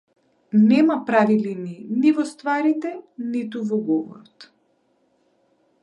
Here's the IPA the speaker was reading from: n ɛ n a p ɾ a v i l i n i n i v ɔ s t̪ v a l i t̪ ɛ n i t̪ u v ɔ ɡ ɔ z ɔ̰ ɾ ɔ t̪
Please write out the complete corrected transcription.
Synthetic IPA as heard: n ɛ m a p ɾ a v i l i n i n i v ɔ s t̪ v a ɾ i t̪ ɛ n i t̪ u v ɔ ɡ ɔ v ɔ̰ ɾ ɔ t̪